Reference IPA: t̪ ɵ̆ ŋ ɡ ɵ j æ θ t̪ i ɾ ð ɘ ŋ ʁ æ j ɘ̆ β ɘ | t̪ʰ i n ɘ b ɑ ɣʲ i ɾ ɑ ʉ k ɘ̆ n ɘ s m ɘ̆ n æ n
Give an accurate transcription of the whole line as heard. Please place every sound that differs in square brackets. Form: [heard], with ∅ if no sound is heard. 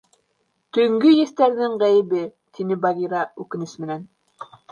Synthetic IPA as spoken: t̪ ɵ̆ ŋ ɡ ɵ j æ θ t̪ [æ] ɾ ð ɘ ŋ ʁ æ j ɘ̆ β ɘ | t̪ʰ i n ɘ b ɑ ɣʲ i ɾ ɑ ʉ k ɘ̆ n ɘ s m ɘ̆ n æ n